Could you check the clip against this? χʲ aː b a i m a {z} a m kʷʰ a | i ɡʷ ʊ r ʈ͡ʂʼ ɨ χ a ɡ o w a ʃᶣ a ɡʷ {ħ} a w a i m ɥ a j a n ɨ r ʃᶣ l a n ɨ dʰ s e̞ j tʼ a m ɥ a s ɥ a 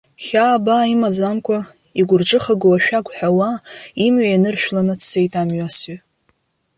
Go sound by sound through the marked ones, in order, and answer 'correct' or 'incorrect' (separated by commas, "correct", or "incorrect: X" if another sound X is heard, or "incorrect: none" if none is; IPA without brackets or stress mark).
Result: incorrect: d͡z, correct